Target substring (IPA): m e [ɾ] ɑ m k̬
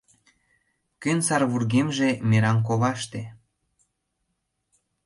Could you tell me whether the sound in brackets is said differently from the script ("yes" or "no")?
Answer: no